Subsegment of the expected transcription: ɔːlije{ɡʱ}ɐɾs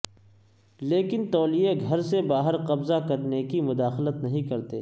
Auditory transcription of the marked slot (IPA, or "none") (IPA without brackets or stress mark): ɡʱ